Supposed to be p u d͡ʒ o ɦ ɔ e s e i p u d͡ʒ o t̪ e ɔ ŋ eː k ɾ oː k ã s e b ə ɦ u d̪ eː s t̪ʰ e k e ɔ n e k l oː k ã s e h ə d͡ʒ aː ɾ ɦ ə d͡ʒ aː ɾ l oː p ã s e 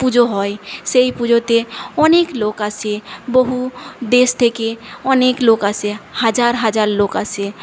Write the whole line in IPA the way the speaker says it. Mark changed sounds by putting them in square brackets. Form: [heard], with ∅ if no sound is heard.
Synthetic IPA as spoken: p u d͡ʒ o ɦ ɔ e s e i p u d͡ʒ o t̪ e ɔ [n] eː k [l] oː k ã s e b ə ɦ u d̪ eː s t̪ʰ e k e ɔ n e k l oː k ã s e h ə d͡ʒ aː ɾ ɦ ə d͡ʒ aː ɾ l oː [k] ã s e